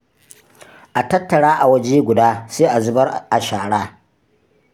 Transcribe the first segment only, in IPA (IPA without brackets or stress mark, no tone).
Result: ʔ